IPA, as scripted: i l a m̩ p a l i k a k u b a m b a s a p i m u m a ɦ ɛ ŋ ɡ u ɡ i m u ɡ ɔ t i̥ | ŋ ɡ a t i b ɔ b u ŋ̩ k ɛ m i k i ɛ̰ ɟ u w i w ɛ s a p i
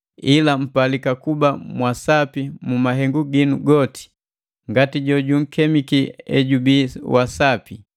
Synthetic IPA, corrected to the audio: i l a m̩ p a l i k a k u b a m w a s a p i m u m a ɦ ɛ ŋ ɡ u ɡ i n u ɡ ɔ t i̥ | ŋ ɡ a t i ɟ ɔ ɟ u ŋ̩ k ɛ m i k i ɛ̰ ɟ u b i w a s a p i